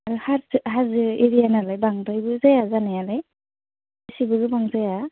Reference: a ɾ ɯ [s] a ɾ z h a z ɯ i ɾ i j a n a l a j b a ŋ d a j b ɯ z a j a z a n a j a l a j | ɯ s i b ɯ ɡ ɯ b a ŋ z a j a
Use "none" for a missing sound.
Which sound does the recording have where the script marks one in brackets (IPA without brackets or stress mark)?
h